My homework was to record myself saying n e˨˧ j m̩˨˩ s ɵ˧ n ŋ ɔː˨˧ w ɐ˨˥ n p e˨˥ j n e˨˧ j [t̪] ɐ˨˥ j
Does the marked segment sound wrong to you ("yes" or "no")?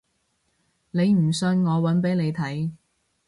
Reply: yes